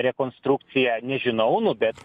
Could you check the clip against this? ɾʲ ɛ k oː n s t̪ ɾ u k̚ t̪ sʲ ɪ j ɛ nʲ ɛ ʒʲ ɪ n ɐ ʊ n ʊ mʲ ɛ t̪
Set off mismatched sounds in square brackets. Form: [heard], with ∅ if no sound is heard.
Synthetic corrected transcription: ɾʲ ɛ k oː n s t̪ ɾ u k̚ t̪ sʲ ɪ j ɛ nʲ ɛ ʒʲ ɪ n ɐ ʊ n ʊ [bʲ] ɛ t̪